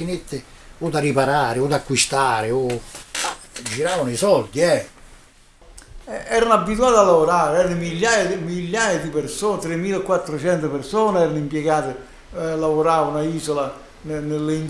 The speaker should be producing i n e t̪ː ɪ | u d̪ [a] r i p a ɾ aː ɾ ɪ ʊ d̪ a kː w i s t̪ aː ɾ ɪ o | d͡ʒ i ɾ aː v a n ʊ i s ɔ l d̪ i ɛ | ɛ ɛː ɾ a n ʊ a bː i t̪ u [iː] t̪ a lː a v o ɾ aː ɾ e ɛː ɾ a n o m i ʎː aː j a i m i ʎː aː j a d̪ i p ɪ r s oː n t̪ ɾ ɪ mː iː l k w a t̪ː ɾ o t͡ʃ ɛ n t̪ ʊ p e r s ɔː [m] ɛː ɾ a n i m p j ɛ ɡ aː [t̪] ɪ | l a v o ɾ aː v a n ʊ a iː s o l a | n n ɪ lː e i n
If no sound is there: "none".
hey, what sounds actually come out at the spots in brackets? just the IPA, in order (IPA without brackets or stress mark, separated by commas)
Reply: a, aː, n, t̪